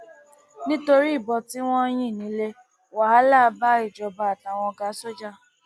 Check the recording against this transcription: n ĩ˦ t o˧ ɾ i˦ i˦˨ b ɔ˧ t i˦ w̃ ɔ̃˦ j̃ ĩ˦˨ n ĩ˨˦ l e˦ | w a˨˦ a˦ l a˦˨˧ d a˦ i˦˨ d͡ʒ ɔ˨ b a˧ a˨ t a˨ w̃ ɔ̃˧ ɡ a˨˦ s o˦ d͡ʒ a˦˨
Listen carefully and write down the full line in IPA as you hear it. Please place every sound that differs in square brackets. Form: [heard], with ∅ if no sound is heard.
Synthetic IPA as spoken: n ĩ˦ t o˧ ɾ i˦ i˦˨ b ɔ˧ t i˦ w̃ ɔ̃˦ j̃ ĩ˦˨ n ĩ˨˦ l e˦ | w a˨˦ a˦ l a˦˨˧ [b] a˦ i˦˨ d͡ʒ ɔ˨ b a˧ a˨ t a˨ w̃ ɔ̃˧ ɡ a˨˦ s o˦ d͡ʒ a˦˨